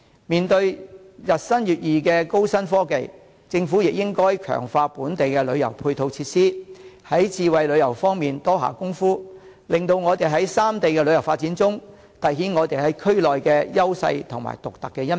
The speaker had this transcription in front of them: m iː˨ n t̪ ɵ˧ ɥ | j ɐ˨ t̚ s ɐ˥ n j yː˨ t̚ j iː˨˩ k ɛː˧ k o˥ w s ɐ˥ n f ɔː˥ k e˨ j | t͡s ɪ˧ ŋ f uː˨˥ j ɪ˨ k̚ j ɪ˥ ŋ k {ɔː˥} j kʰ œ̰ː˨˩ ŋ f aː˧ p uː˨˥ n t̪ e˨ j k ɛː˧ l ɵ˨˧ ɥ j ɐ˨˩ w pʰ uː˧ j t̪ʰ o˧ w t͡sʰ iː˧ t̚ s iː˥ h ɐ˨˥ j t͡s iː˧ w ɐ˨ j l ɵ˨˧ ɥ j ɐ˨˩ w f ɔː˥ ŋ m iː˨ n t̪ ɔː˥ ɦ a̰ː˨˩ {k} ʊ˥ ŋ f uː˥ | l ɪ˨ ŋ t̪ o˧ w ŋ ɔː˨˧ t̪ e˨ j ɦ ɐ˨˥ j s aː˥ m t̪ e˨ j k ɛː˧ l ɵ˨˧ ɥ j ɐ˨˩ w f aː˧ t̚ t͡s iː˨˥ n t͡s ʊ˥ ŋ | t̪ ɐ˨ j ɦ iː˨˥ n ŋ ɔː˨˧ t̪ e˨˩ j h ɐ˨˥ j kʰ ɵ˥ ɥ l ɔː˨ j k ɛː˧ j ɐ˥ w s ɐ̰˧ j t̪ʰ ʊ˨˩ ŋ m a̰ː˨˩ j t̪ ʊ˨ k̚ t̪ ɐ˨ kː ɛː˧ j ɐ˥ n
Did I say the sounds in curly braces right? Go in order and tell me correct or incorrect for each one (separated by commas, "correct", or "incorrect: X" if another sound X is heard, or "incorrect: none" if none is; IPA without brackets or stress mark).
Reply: correct, correct